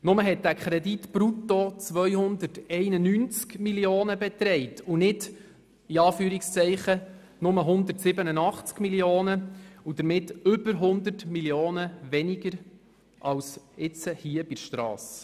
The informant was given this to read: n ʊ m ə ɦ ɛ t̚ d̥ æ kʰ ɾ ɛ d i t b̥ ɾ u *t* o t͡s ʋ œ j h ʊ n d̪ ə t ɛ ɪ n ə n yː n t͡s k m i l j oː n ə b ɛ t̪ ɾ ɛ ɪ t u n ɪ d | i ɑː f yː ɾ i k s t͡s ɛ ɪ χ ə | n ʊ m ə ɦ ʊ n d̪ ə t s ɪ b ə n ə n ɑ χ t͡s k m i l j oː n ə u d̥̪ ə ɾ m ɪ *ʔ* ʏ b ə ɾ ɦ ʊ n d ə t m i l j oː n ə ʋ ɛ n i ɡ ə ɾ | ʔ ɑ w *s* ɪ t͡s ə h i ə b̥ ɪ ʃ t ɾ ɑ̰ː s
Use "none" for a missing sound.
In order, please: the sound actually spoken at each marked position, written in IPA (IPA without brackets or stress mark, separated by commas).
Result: t, t, s